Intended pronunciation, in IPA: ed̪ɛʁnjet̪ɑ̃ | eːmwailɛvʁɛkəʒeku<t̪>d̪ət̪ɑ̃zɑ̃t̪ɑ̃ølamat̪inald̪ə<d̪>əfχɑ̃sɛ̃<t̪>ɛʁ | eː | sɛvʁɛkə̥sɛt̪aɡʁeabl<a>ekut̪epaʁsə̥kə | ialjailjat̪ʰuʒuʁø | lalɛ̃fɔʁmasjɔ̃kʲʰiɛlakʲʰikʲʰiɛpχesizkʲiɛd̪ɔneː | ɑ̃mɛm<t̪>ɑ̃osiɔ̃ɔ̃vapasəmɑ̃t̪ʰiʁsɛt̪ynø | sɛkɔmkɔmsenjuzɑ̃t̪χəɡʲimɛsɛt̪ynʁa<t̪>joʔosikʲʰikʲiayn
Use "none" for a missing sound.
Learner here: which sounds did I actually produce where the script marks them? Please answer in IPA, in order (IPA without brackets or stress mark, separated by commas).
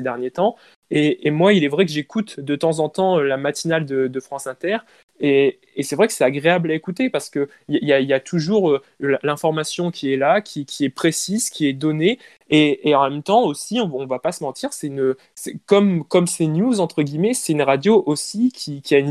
t̪, d̪, t̪, a, t̪, d̪